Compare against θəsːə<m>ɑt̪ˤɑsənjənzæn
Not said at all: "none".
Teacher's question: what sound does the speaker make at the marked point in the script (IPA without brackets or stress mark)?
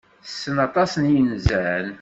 n